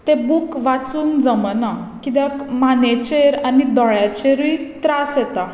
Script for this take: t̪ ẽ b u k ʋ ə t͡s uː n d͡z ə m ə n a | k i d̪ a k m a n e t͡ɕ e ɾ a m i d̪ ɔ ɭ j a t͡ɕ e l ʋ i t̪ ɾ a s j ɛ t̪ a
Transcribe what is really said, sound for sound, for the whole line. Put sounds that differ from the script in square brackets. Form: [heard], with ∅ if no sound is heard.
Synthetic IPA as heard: t̪ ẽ b u k ʋ [a] t͡s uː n d͡z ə m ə n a | k i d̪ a k m a n e t͡ɕ e ɾ a [n] i d̪ ɔ ɭ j a t͡ɕ e [ɾ] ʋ i t̪ ɾ a s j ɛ t̪ a